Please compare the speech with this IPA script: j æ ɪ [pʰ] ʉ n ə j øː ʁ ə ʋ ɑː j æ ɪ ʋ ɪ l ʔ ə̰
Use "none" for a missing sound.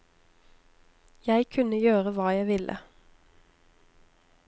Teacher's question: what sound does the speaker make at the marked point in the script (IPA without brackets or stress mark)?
kʰ